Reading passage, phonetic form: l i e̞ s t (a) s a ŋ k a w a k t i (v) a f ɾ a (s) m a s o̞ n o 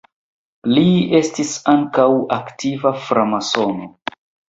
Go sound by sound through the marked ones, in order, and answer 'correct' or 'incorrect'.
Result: incorrect: i, correct, incorrect: none

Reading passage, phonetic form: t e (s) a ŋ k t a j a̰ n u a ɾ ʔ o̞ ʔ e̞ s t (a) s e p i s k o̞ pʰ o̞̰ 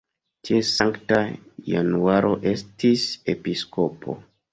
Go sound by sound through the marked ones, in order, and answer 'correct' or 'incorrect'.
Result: correct, incorrect: i

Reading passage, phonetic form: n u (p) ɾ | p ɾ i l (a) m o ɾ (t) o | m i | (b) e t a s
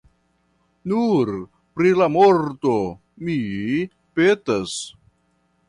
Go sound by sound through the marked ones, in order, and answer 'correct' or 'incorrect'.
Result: incorrect: none, correct, correct, incorrect: p

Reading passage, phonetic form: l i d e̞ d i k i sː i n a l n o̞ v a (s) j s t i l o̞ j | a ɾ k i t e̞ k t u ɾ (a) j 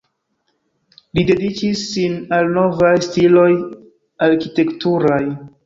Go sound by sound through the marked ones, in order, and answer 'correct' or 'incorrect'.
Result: incorrect: none, correct

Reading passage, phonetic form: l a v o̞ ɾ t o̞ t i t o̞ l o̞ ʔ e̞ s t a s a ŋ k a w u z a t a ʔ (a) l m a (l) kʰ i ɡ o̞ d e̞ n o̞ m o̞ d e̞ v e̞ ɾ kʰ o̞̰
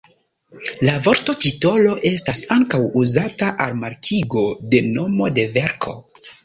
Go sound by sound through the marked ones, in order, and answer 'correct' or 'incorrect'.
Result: correct, incorrect: ɾ

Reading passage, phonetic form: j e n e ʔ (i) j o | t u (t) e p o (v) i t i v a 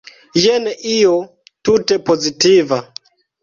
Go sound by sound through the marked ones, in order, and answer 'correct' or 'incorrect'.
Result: correct, correct, incorrect: z

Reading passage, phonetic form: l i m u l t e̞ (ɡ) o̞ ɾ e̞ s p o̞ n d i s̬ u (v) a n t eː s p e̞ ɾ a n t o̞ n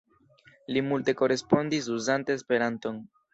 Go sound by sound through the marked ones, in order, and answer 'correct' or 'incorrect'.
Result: incorrect: k, incorrect: z

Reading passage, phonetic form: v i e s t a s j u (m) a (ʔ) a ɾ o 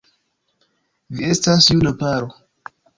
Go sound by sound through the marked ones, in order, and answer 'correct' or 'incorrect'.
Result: incorrect: n, incorrect: p

